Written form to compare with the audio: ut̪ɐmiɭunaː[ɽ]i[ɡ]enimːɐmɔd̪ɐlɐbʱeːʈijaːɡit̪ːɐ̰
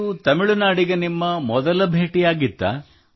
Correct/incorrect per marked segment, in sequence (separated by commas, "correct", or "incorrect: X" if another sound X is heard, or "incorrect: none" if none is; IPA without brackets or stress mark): correct, correct